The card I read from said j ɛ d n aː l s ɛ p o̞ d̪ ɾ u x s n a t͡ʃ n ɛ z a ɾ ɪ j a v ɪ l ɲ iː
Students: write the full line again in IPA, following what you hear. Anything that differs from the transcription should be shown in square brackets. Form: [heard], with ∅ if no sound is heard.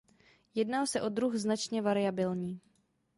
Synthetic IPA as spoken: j ɛ d n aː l s ɛ [ʔ] o̞ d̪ ɾ u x [z] n a t͡ʃ [ɲ] ɛ [v] a ɾ ɪ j a [b] ɪ l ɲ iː